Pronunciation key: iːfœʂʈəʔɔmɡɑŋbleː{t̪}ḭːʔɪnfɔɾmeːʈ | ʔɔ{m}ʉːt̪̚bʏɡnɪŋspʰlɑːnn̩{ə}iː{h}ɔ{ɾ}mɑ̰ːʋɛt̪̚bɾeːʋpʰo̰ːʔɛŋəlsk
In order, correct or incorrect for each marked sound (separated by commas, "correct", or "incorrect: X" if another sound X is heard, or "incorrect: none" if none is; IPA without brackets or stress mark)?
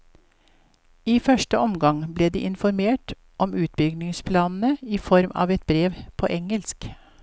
incorrect: d̪, correct, correct, incorrect: f, correct